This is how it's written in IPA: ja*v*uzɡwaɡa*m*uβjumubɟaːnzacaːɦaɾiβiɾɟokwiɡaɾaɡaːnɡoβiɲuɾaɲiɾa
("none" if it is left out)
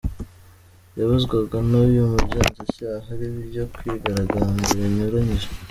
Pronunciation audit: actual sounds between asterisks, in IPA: β, n

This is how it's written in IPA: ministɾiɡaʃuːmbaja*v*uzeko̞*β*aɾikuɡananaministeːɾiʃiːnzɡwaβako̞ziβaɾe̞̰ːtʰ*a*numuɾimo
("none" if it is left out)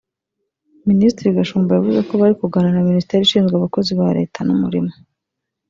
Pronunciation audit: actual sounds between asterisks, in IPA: v, β, a

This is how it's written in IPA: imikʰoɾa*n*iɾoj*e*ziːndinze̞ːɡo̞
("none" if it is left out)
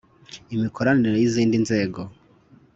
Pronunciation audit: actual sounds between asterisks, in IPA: n, i

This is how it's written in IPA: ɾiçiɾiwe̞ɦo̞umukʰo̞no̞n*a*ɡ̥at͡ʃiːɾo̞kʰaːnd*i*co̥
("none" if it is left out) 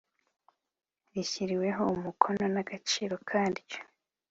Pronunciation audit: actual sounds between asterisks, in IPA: a, i

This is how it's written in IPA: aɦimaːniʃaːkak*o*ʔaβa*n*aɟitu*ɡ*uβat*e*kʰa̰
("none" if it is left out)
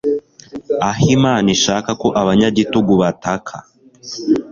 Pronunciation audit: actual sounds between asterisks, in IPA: o, ɲ, ɡ, a

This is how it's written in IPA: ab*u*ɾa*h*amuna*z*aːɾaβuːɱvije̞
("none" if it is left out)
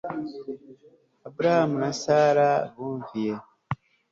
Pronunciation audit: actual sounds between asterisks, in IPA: u, h, s

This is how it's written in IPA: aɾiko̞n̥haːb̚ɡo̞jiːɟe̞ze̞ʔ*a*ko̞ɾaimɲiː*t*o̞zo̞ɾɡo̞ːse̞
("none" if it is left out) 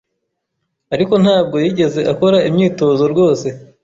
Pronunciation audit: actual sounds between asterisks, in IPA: a, t

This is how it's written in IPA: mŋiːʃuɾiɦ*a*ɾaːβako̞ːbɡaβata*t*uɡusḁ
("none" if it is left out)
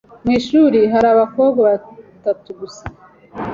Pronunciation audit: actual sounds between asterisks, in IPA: a, t

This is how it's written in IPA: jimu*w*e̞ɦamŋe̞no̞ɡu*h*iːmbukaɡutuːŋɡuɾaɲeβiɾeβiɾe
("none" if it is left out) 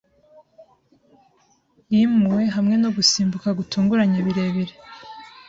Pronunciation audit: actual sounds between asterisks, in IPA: w, s

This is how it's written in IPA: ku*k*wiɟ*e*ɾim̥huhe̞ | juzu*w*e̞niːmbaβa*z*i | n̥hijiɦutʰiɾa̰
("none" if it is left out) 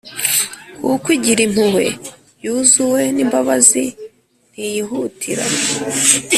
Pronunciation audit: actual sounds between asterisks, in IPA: k, i, w, z

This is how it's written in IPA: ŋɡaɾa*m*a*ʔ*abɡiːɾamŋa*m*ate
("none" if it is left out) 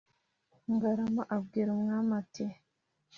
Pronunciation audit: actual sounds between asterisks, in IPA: m, ʔ, m

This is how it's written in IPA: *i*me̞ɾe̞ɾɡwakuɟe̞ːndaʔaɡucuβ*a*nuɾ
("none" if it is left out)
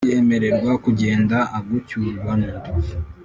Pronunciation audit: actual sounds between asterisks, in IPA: e, a

